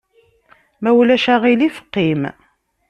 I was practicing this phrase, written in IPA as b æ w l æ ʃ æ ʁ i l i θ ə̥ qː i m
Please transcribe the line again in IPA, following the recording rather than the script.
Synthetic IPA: m æ w l æ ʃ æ ʁ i l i f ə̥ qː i m